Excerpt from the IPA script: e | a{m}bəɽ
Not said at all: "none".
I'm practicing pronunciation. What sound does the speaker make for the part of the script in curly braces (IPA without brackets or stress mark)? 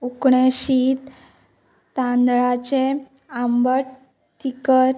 m